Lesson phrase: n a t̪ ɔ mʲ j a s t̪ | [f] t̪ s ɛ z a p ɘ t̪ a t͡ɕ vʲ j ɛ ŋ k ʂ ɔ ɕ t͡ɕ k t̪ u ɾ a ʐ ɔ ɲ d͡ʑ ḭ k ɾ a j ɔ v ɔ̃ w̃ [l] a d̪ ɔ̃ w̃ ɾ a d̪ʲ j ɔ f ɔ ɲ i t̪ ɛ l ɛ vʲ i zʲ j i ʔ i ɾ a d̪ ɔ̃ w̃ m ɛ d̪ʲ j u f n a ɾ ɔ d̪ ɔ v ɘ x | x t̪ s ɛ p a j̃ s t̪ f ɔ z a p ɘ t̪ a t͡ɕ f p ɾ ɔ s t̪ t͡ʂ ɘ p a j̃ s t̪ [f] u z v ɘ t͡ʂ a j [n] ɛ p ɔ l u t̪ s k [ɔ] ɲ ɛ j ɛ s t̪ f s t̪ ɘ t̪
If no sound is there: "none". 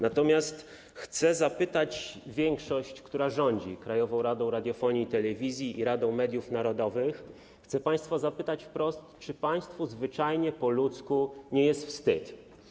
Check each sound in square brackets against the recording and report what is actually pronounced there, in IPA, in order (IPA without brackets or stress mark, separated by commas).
x, ɾ, f, ɲ, u